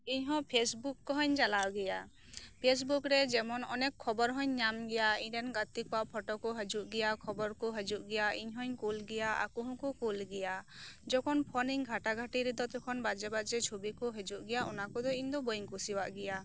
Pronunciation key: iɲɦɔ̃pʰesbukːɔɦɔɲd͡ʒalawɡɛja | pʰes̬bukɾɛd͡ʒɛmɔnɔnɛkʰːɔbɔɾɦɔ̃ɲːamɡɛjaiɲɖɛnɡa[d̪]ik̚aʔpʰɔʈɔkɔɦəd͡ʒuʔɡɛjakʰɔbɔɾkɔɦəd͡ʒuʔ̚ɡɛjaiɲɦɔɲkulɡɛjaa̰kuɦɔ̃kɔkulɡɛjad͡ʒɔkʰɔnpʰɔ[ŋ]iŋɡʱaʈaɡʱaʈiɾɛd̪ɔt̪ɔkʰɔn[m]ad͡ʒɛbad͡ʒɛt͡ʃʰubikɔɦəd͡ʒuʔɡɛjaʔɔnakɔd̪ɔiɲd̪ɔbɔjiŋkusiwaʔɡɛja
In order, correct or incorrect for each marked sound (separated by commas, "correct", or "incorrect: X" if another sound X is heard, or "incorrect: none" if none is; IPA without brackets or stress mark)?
incorrect: t̪, incorrect: n, incorrect: b